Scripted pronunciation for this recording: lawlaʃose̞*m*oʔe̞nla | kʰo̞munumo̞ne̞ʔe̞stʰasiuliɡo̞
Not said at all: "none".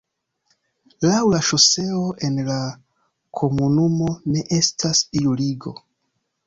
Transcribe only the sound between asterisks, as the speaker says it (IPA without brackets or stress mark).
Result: none